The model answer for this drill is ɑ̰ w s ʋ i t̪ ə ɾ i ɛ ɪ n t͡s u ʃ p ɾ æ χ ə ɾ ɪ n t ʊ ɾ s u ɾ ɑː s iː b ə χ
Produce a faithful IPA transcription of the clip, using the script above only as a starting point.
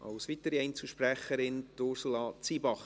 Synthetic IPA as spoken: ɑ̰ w s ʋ i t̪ ə ɾ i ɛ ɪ n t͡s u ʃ p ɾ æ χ ə ɾ ɪ n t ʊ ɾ s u l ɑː t͡s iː b ɑ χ